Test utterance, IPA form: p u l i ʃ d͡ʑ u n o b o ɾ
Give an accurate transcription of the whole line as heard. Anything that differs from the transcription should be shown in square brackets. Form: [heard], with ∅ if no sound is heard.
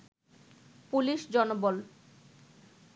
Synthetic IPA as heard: p u l i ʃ d͡ʑ [ɔ] n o b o [l]